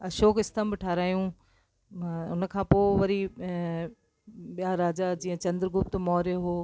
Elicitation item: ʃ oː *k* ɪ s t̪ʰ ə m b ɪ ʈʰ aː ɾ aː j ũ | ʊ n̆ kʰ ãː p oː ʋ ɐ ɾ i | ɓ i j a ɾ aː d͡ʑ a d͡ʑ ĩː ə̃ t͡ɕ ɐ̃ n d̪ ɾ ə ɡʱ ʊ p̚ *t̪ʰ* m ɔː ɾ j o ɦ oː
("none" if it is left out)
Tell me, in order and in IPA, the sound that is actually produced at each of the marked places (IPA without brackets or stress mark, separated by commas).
k, t̪